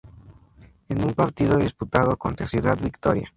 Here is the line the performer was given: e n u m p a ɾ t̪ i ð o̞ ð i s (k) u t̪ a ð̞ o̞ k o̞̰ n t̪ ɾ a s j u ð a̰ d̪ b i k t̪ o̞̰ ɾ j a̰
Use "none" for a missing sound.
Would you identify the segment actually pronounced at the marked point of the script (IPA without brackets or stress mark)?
p